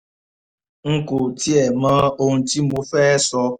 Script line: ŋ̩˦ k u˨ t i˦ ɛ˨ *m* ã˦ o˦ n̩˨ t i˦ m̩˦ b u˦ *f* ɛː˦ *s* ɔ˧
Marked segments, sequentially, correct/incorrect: correct, correct, correct

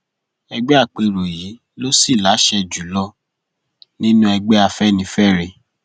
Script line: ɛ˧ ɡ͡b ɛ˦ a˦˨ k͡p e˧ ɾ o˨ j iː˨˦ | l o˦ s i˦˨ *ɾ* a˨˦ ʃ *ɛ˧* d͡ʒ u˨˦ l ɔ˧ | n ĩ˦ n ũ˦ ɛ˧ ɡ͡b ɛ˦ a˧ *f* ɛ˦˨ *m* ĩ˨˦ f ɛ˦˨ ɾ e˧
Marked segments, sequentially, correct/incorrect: incorrect, correct, correct, incorrect

